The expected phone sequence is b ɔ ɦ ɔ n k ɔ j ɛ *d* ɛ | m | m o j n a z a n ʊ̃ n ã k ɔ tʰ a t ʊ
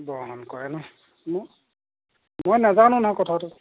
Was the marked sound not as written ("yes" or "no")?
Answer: yes